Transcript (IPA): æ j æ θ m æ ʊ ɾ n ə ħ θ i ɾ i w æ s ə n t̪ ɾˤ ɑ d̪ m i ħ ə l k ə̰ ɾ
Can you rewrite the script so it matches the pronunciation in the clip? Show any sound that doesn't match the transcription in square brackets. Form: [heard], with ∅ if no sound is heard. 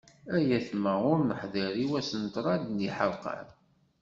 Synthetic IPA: æ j æ θ m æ ʊ ɾ n ə ħ [ð] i ɾ i w æ s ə n t̪ ɾˤ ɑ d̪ [n] i ħ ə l [q] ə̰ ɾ